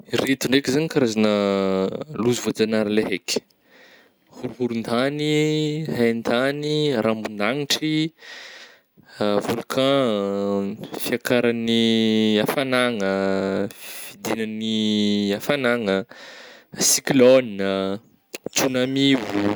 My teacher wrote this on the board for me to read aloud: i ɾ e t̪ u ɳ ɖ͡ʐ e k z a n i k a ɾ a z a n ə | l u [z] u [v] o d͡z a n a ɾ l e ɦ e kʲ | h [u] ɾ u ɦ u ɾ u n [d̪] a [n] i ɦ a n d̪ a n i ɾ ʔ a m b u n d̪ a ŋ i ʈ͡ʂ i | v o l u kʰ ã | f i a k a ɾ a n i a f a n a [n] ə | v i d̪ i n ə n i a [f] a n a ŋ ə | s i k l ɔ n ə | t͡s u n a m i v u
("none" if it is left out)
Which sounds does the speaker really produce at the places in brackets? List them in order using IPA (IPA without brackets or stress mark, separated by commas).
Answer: z, v, u, d̪, n, ŋ, f